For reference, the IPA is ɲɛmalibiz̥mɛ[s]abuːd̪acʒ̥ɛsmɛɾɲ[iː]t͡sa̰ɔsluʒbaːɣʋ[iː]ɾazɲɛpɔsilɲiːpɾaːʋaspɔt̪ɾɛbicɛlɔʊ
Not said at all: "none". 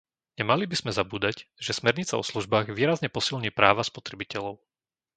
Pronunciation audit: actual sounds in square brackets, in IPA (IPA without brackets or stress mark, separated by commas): z, i, iː